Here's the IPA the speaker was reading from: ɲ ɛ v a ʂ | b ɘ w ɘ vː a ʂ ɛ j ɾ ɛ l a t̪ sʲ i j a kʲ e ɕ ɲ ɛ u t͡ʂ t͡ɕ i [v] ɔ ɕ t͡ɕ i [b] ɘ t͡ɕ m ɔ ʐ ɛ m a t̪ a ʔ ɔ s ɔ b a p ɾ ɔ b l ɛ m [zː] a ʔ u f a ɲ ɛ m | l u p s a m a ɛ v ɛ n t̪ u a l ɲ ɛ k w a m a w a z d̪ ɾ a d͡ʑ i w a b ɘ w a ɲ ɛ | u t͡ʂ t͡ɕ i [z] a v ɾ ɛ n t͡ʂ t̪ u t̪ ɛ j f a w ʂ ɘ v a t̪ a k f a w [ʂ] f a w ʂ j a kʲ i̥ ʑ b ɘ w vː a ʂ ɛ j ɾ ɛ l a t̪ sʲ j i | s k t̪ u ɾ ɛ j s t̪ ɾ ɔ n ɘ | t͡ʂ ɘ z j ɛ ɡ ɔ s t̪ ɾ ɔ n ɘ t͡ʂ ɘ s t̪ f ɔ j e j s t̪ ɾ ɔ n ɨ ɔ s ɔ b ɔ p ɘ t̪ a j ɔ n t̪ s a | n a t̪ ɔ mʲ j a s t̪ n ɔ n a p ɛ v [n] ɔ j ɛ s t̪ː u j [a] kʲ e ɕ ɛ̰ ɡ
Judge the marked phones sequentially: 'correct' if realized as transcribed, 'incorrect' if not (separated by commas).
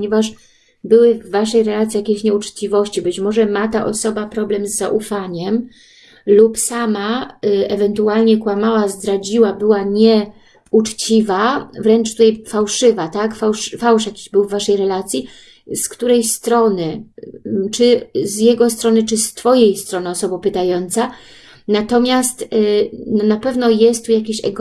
correct, correct, correct, incorrect, correct, correct, correct